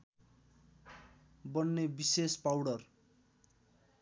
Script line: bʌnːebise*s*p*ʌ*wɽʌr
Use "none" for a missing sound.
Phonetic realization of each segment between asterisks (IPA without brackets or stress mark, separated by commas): s, a